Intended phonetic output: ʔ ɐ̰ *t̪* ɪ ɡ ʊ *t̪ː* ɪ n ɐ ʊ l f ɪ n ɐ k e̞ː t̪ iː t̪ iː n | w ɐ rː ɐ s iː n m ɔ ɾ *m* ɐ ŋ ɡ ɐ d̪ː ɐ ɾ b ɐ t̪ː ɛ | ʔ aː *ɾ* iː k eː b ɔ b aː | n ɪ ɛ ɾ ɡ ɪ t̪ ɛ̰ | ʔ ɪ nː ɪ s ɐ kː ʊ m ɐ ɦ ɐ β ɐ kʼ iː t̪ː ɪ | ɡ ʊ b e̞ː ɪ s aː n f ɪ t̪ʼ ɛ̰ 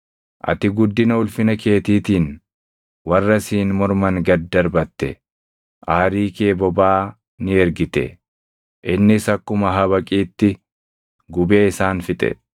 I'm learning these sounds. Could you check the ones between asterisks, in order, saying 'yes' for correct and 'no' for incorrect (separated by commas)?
yes, no, yes, yes